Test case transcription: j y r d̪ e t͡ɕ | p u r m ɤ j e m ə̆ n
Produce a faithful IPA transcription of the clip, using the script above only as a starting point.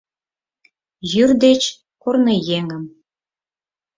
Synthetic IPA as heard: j y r d̪ e t͡ɕ | k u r n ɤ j e ŋ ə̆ m